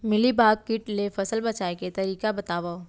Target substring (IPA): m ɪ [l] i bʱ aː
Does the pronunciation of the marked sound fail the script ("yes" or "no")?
no